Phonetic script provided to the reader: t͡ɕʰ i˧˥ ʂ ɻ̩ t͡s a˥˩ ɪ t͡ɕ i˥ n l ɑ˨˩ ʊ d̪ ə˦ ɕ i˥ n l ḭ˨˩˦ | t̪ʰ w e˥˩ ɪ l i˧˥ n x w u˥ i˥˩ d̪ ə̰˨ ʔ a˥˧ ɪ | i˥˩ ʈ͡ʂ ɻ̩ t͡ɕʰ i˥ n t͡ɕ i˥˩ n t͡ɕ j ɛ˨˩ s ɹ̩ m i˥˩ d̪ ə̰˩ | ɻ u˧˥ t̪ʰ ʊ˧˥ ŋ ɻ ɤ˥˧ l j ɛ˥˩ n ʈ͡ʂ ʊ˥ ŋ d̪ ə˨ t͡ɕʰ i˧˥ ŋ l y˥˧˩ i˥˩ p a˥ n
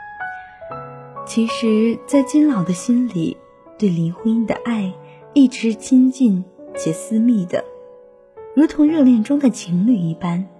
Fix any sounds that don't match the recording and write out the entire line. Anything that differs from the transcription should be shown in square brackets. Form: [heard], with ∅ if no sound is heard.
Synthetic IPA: t͡ɕʰ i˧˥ ʂ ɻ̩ t͡s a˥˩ ɪ t͡ɕ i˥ n l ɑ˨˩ ʊ d̪ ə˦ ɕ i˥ n l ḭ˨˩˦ | [t̪] w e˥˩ ɪ l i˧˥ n x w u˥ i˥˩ d̪ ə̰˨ ʔ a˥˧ ɪ | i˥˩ ʈ͡ʂ ɻ̩ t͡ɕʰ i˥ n t͡ɕ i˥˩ n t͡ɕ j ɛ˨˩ s ɹ̩ m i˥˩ d̪ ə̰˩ | ɻ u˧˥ t̪ʰ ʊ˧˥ ŋ ɻ ɤ˥˧ l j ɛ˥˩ n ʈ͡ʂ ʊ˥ ŋ d̪ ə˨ t͡ɕʰ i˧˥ ŋ l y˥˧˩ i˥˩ p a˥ n